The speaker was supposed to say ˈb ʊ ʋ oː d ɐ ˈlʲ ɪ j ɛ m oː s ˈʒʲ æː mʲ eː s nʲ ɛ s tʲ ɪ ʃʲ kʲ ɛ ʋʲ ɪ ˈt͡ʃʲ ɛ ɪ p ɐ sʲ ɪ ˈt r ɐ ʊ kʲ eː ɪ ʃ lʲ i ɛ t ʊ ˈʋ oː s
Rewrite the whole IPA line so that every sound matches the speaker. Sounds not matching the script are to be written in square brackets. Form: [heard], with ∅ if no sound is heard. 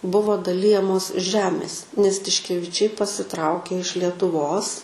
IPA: ˈb ʊ ʋ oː d ɐ ˈlʲ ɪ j ɛ m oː s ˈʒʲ æː mʲ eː s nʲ ɛ s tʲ ɪ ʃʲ kʲ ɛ ʋʲ ɪ ˈt͡ʃʲ ɛ ɪ p ɐ sʲ ɪ ˈt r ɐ ʊ kʲ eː ɪ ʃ lʲ i ɛ t ʊ ˈʋ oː s